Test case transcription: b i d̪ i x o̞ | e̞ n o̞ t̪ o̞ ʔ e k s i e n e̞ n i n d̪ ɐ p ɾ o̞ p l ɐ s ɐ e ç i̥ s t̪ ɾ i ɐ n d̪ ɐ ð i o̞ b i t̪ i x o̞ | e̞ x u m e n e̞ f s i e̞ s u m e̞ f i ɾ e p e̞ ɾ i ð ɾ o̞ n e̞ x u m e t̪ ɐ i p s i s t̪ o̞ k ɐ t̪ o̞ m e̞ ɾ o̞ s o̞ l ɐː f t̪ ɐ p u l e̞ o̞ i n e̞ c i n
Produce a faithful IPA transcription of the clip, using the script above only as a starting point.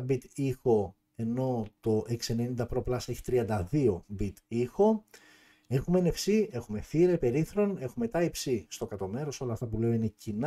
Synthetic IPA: b i t̪ i x o̞ | e̞ n o̞ t̪ o̞ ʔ e k s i e n e̞ n i n d̪ ɐ p ɾ o̞ p l ɐ s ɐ e ç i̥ t̪ ɾ i ɐ n d̪ ɐ ð i o̞ b i t̪ i x o̞ | e̞ x u m e n e̞ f s i e̞ x u m e̞ f i ɾ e p e̞ ɾ i θ ɾ o̞ n e̞ x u m e t̪ ɐ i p s i s t̪ o̞ k ɐ t̪ o̞ m e̞ ɾ o̞ s o̞ l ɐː f t̪ ɐ p u l e̞ o̞ i n e̞ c i n